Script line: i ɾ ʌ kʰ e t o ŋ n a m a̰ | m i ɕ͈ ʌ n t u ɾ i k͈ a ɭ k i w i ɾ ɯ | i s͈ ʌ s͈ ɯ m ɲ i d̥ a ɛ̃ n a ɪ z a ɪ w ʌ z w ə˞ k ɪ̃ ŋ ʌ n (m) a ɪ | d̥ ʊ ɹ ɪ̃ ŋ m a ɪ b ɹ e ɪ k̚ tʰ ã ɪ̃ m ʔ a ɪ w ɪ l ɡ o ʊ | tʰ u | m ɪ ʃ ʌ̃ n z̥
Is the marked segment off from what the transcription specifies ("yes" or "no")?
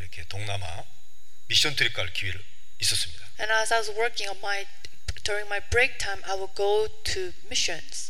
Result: no